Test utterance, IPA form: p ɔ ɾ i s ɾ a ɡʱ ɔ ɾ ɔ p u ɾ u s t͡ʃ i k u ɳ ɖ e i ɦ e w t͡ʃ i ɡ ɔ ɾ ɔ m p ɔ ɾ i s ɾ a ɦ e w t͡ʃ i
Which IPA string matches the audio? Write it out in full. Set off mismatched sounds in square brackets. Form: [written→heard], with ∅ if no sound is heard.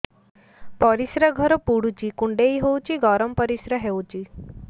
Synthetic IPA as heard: p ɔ ɾ i s ɾ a ɡʱ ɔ ɾ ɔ p u [ɾ→ɽ] u [s→∅] t͡ʃ i k u ɳ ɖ e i ɦ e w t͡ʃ i ɡ ɔ ɾ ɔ m p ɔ ɾ i s ɾ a ɦ e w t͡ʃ i